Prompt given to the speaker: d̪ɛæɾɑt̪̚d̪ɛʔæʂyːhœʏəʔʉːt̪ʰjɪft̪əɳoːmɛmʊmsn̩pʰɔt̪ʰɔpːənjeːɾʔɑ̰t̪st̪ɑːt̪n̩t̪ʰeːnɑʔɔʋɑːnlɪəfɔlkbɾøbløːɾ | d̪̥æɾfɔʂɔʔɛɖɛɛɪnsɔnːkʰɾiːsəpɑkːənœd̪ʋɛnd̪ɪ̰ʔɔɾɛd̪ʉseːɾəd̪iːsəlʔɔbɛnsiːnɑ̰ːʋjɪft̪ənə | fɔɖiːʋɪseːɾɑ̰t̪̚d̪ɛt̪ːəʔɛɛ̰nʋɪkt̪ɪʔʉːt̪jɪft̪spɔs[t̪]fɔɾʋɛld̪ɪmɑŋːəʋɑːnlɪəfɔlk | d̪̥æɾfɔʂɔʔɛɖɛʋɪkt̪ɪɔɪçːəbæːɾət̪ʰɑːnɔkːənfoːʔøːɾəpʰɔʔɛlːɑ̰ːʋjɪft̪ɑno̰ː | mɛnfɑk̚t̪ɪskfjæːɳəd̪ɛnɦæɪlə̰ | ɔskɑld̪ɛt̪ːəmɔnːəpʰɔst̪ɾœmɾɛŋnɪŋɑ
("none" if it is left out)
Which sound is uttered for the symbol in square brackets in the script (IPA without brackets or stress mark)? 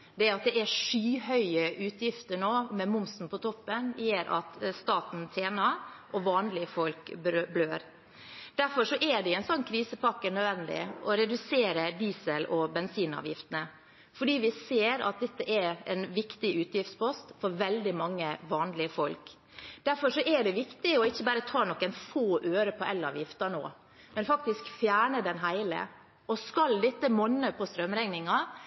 t̪